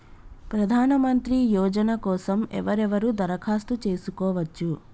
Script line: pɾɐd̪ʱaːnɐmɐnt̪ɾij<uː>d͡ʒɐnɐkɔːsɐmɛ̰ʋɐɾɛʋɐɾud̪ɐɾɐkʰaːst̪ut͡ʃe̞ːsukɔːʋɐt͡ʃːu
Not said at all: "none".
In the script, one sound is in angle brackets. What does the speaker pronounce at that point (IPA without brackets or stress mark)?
ɔː